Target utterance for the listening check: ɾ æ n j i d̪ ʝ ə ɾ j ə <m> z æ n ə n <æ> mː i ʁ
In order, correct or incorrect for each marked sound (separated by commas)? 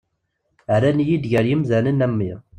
correct, correct